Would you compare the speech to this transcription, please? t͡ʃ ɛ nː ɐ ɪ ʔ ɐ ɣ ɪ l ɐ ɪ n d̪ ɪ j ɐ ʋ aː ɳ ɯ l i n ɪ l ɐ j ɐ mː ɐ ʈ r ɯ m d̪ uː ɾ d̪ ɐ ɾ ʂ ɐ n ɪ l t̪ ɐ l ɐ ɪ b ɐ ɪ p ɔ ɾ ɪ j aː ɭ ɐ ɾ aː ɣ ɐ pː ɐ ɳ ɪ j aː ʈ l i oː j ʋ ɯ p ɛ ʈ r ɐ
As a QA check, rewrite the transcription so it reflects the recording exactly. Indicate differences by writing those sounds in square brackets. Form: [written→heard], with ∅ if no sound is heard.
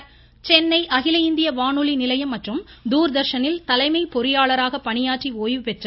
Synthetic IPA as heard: t͡ʃ ɛ nː ɐ ɪ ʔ ɐ ɣ ɪ l ɐ ɪ n d̪ ɪ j ɐ ʋ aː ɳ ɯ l i n ɪ l ɐ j ɐ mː ɐ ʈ r ɯ m d̪ uː ɾ d̪ ɐ ɾ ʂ ɐ n ɪ l t̪ ɐ l ɐ ɪ [b→m] ɐ ɪ p ɔ ɾ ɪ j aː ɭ ɐ ɾ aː ɣ ɐ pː ɐ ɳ ɪ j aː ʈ [l→r] i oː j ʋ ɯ p ɛ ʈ r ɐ